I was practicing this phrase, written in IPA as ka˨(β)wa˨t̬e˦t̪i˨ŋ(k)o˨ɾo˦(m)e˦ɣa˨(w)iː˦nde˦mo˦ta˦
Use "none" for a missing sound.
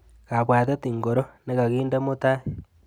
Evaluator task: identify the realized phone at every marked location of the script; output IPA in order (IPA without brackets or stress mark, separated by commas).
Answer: β, ɡ, n, ɣ